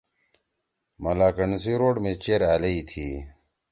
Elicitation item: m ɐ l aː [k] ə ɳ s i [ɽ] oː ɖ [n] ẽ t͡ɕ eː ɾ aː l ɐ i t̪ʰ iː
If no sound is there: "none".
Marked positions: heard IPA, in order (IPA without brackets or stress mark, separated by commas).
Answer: k, ɾ, m